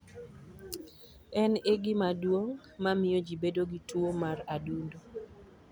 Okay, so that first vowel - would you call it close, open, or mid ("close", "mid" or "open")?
mid